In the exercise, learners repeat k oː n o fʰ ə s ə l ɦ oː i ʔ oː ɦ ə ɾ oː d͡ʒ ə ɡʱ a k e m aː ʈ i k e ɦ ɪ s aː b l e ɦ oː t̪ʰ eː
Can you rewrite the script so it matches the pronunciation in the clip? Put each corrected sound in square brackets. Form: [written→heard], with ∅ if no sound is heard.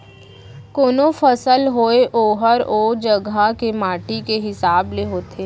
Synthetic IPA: k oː n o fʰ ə s ə l ɦ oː [i→e] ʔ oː ɦ ə ɾ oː d͡ʒ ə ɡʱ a k e m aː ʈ i k e ɦ ɪ s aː b l e ɦ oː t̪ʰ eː